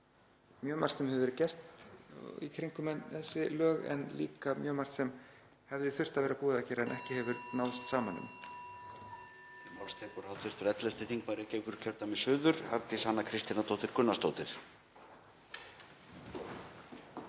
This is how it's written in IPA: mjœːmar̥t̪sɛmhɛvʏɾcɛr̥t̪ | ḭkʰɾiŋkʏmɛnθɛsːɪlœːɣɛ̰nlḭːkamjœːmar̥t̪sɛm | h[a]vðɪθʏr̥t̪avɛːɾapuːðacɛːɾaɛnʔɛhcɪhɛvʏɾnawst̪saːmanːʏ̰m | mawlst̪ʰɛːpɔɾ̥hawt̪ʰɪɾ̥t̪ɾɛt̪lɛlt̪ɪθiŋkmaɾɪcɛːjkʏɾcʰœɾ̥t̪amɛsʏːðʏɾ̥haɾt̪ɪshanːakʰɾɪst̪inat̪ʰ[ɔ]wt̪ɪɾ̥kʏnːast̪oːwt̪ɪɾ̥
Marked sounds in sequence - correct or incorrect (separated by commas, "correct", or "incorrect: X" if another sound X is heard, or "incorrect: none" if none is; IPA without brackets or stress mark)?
incorrect: ɛ, incorrect: o